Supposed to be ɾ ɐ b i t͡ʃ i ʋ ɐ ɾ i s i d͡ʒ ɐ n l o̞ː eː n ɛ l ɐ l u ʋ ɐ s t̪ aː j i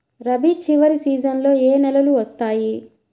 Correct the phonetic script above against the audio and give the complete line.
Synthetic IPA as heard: ɾ ɐ b i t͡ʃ i ʋ ɐ ɾ i s iː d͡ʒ ɐ n l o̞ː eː n ɛ l ɐ l u ʋ ɐ s t̪ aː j i